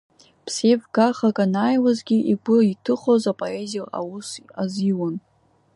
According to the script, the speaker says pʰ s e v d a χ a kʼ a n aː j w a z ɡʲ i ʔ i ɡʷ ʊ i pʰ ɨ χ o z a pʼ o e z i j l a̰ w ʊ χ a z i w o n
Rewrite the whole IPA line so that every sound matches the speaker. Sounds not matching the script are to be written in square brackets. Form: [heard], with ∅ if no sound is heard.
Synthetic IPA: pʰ s e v [ɡ] a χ a kʼ a n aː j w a z ɡʲ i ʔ i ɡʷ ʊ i [tʰ] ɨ χ o z a pʼ o e z i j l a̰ w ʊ [s] a z i w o n